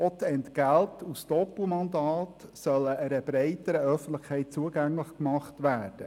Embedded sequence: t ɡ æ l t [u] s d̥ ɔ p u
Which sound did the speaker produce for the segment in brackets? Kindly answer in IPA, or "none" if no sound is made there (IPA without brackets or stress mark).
u